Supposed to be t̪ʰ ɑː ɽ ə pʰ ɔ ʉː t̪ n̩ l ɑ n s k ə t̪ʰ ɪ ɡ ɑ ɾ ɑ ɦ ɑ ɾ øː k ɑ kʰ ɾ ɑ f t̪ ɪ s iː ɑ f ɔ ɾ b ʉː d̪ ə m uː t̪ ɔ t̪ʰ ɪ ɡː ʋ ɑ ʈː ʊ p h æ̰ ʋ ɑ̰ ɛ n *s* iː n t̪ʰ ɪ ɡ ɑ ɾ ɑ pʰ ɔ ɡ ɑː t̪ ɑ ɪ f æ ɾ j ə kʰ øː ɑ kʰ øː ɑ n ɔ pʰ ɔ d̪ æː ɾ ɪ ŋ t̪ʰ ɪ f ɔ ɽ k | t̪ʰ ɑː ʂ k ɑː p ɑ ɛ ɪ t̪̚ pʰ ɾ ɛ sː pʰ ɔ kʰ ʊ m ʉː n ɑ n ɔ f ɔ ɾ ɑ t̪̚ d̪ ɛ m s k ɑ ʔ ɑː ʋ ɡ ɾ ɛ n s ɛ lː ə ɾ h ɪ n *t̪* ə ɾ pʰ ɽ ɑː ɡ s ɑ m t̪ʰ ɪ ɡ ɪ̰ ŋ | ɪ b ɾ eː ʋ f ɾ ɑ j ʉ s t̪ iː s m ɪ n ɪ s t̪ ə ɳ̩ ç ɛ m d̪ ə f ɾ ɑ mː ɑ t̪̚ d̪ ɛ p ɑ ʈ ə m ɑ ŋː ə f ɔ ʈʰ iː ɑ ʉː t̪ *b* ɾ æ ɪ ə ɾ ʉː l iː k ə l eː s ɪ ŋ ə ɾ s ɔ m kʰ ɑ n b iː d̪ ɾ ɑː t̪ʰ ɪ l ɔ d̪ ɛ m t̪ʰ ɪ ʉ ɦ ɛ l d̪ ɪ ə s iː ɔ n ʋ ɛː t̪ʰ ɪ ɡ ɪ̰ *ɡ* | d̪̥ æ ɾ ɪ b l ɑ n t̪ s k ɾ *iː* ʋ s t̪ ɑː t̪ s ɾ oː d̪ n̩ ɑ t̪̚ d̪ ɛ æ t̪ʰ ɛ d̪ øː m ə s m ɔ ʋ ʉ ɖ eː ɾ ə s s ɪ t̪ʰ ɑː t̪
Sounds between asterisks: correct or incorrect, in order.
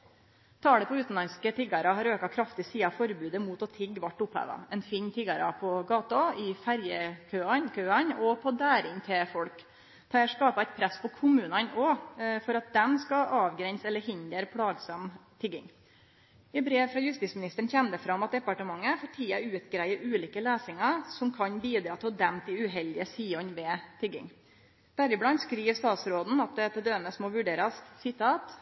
incorrect: f, incorrect: d̪, incorrect: ɡ, incorrect: ŋ, correct

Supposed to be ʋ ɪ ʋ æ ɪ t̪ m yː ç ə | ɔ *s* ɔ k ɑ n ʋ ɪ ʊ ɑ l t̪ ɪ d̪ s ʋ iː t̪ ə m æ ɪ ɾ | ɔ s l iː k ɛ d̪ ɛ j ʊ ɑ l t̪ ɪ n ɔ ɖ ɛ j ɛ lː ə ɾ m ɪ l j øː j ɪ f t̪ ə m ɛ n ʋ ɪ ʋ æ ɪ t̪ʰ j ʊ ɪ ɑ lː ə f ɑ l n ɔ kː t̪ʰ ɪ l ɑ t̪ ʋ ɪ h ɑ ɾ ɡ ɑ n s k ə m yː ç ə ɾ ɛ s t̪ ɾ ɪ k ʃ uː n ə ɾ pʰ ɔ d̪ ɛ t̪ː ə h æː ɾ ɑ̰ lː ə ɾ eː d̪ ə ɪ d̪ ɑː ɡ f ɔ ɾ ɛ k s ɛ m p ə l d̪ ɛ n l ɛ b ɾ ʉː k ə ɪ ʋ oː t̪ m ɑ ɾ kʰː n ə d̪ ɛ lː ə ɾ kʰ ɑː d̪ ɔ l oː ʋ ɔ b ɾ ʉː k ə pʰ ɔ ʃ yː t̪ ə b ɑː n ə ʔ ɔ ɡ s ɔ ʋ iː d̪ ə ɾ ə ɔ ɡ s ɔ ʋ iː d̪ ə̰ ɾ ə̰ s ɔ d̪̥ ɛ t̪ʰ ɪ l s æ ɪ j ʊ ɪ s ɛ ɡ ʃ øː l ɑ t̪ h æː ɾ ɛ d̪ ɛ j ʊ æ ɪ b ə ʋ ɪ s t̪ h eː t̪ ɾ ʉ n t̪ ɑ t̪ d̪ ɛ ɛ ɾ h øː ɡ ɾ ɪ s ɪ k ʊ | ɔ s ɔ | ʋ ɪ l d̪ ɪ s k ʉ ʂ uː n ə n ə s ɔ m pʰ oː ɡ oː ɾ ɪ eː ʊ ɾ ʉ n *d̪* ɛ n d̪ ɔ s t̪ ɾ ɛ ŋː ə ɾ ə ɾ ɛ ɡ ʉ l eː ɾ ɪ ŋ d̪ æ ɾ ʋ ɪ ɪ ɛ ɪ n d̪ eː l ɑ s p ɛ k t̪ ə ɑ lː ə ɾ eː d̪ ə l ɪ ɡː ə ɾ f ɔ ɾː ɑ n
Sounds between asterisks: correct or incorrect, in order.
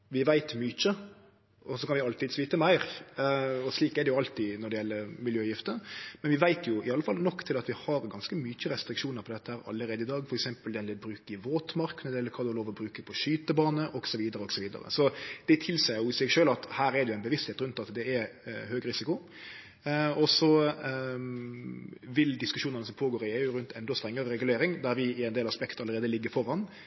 correct, incorrect: t̪

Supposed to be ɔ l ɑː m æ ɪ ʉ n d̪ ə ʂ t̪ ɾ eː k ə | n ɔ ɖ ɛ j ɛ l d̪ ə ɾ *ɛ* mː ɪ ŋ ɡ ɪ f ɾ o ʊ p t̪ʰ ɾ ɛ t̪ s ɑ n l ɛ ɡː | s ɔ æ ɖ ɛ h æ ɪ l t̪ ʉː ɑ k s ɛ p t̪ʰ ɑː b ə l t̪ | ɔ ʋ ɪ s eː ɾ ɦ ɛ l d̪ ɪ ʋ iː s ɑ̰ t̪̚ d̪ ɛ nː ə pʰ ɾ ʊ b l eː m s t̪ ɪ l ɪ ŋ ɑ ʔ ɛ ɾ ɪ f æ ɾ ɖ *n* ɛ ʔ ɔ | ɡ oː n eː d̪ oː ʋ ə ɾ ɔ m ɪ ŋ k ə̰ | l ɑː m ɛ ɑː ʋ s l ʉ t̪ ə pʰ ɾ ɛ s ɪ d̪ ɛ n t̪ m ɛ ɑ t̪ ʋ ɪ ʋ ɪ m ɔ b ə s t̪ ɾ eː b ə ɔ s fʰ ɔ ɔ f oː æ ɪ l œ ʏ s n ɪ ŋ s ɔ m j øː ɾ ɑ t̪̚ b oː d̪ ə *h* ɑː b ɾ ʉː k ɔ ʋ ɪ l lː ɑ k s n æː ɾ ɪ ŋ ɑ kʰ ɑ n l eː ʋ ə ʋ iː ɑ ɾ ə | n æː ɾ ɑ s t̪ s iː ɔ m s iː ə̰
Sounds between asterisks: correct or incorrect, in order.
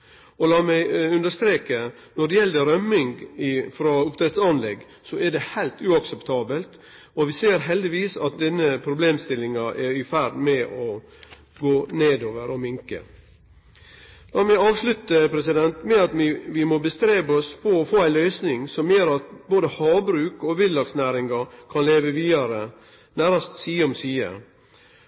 incorrect: œ, incorrect: m, correct

